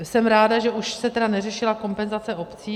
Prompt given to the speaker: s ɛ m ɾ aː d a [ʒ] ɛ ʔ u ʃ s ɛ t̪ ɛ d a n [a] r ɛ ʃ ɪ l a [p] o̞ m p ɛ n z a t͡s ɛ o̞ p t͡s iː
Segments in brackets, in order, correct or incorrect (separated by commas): correct, incorrect, incorrect